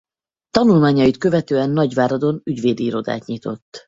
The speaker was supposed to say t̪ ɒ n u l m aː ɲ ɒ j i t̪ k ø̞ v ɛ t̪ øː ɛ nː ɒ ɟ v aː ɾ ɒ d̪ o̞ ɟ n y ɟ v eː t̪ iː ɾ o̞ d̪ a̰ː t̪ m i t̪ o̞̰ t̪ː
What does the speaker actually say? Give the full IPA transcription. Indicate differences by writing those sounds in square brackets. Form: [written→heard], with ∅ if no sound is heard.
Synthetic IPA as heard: t̪ ɒ n u l m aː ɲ ɒ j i t̪ k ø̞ v ɛ t̪ øː ɛ nː ɒ ɟ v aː ɾ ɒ d̪ o̞ [ɟ→∅] n y ɟ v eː [t̪→d̪] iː ɾ o̞ d̪ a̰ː t̪ [m→ɲ] i t̪ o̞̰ t̪ː